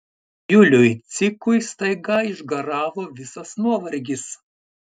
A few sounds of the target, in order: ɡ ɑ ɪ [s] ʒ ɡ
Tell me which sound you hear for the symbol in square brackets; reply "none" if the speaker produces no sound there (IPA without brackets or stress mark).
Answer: none